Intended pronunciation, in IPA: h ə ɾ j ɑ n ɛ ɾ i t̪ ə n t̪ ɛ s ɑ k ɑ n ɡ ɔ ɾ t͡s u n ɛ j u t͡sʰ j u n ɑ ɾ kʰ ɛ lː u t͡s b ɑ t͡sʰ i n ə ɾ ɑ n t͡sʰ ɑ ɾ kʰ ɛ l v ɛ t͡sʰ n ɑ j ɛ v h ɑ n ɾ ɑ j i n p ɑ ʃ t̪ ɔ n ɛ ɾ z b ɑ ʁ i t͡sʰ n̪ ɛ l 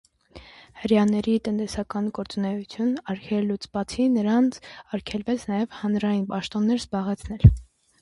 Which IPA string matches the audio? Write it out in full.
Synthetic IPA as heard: h ə ɾ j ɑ n ɛ ɾ i t̪ ə n t̪ ɛ s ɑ k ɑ n ɡ ɔ ɾ t͡s u n ɛ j u t͡sʰ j u n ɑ ɾ kʰ ɛ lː u t͡s b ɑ t͡sʰ i n ə ɾ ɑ n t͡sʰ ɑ ɾ kʰ ɛ l v ɛ t͡sʰ n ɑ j ɛ v h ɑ n ɾ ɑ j i n p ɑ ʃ t̪ ɔ nː ɛ ɾ z b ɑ ʁ ɛ t͡sʰ n̪ ɛ l